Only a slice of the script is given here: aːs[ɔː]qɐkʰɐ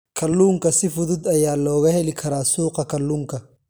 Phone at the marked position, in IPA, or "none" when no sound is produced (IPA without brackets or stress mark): uː